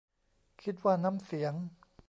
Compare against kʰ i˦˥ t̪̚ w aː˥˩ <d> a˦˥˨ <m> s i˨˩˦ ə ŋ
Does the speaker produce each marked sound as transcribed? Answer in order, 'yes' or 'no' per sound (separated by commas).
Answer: no, yes